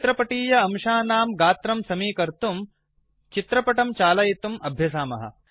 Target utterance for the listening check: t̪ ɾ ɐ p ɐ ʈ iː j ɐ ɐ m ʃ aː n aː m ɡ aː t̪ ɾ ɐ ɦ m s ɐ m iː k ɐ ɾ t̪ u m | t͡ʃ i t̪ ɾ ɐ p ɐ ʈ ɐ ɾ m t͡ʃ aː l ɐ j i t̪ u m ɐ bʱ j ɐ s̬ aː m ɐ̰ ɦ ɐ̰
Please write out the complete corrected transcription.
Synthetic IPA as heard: t̪ ɾ ɐ p ɐ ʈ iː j ɐ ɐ m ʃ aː n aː m ɡ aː t̪ ɾ ɐ m s ɐ m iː k ɐ ɾ t̪ u m | t͡ʃ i t̪ ɾ ɐ p ɐ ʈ ɐ m t͡ʃ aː l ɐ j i t̪ u m ɐ bʱ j ɐ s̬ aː m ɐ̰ ɦ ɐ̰